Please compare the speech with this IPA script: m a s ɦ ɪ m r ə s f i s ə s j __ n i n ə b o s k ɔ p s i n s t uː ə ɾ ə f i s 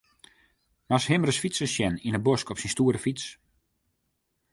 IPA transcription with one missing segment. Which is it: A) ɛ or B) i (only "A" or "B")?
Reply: A